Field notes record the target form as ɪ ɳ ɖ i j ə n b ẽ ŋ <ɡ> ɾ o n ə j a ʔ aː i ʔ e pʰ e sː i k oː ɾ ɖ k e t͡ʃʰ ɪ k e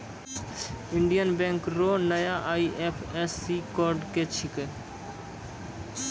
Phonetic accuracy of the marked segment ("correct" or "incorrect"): incorrect